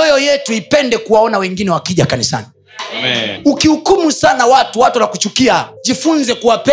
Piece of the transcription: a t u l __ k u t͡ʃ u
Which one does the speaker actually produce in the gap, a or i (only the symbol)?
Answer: a